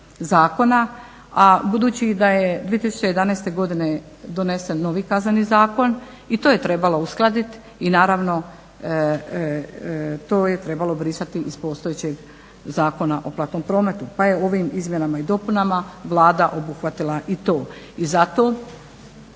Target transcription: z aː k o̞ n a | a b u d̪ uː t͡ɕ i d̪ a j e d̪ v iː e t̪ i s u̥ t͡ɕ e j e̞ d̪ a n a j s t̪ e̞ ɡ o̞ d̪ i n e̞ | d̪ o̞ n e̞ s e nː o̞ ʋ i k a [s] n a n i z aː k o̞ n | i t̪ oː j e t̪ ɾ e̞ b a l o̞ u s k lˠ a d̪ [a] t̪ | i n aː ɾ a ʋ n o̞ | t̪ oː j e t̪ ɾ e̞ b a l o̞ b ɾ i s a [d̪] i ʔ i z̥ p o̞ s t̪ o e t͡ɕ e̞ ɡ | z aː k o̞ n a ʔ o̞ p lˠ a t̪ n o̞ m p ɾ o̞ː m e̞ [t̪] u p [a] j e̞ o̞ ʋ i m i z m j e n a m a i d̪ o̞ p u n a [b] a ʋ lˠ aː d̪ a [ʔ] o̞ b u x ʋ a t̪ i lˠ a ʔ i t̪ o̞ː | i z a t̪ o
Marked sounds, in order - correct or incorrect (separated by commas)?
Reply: incorrect, incorrect, incorrect, correct, correct, incorrect, correct